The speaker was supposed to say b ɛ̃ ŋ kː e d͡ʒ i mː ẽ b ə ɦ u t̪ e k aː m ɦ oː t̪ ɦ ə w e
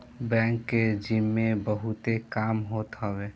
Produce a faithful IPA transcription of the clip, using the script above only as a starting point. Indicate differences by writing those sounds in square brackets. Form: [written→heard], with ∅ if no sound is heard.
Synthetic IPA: b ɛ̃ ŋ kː e d͡ʒ i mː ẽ b ə ɦ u t̪ e k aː m ɦ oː t̪ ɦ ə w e